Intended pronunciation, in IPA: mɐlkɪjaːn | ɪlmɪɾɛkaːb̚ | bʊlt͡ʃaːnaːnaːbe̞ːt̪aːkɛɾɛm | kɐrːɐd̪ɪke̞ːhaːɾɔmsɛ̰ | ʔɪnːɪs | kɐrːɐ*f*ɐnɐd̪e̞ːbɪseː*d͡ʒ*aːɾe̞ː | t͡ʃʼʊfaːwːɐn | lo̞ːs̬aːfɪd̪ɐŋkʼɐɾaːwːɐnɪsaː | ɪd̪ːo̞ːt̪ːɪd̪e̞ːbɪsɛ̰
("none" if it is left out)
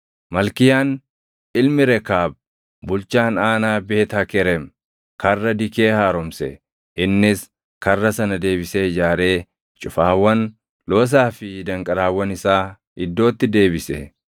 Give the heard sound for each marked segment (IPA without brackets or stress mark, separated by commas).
s, d͡ʒ